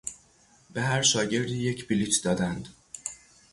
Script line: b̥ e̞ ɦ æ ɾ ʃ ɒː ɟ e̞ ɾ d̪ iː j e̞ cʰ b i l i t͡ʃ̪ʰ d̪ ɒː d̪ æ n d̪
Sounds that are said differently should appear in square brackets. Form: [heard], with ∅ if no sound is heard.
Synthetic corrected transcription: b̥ e̞ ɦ æ ɾ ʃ ɒː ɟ e̞ ɾ d̪ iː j e̞ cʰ b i l i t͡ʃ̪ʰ d̪ ɒː d̪ æ n d̪